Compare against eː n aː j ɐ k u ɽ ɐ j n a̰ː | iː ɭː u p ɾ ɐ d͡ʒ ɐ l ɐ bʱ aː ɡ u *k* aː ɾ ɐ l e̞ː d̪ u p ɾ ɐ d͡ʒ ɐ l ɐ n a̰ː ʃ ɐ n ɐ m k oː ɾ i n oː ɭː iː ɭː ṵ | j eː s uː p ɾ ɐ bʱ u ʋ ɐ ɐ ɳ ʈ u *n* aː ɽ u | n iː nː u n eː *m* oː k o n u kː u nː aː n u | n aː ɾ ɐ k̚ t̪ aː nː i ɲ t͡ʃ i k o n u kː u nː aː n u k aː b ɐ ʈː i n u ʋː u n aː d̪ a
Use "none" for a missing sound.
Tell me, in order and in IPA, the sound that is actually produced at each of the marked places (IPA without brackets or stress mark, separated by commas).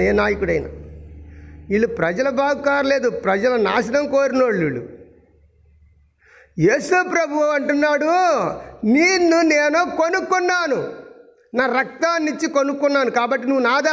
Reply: k, nː, n